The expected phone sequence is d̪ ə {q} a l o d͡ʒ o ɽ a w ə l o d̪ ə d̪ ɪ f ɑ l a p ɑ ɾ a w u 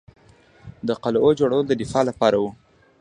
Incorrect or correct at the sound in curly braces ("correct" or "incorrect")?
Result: correct